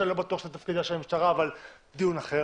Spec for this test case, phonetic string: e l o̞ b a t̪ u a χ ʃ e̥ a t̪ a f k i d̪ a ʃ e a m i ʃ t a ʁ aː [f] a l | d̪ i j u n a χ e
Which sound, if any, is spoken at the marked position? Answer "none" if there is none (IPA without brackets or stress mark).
v